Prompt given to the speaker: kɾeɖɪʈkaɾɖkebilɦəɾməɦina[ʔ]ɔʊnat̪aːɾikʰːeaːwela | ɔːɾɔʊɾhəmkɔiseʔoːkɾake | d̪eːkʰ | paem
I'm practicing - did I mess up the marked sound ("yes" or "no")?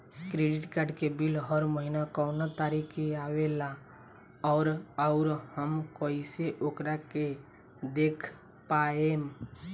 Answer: yes